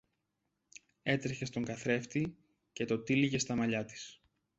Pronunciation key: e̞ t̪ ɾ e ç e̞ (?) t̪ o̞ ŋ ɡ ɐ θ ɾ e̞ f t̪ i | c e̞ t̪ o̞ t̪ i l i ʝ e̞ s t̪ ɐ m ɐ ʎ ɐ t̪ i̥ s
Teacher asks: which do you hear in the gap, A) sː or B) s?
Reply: B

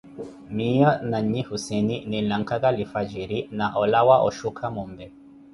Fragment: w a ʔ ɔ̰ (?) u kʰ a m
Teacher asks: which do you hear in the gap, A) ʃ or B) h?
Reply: A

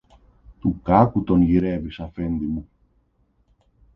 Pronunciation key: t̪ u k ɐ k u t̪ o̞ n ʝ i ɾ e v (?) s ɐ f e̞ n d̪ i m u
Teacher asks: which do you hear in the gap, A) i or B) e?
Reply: A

